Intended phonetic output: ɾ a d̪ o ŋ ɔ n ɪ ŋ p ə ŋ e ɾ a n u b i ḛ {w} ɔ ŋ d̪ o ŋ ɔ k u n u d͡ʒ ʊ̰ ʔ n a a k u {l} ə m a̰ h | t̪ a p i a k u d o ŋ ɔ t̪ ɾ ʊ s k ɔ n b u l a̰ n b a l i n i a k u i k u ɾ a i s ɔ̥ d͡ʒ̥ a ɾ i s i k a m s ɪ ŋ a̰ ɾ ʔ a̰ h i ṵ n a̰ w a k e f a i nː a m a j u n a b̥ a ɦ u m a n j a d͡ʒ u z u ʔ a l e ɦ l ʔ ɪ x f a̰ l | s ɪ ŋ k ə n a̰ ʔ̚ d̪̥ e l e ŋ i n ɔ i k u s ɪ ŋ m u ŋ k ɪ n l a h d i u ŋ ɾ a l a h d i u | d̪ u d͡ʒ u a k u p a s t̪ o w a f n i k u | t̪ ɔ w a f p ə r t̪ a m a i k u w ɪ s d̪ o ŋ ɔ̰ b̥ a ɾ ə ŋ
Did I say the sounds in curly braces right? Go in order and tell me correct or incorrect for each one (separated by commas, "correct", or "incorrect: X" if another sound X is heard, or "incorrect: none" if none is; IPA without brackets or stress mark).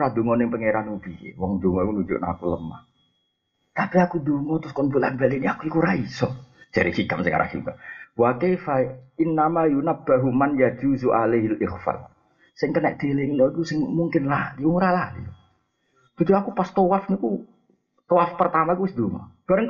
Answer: correct, correct